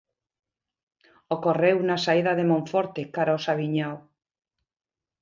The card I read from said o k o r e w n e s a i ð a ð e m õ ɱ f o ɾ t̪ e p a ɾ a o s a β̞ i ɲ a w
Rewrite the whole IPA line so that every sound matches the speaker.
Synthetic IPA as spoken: o k o r e w n a s a i ð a ð e m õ ɱ f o ɾ t̪ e k a ɾ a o s a β̞ i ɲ a w